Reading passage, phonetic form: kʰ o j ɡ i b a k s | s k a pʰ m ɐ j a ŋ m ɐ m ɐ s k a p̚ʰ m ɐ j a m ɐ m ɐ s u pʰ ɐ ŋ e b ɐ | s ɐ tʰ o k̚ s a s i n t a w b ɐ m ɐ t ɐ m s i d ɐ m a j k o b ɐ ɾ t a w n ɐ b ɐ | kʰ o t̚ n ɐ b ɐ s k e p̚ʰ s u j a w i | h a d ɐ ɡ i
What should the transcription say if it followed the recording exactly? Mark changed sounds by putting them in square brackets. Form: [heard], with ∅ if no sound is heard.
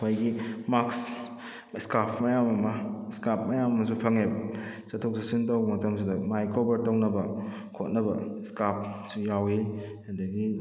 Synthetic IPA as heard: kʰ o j ɡ i [m] a k s | s k a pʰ m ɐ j a [∅] m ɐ m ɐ s k a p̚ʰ m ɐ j a m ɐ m ɐ s u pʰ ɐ ŋ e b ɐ | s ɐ tʰ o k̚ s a s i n t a w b ɐ m ɐ t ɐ m s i d ɐ m a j k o b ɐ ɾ t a w n ɐ b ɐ | kʰ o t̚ n ɐ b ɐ s k [a] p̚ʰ s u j a w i | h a d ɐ ɡ i